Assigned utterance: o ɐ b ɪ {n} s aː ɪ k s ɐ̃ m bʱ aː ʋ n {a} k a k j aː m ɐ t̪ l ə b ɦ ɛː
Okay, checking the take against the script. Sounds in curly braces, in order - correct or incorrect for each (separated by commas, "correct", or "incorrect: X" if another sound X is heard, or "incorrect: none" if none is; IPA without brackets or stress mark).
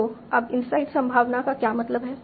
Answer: correct, correct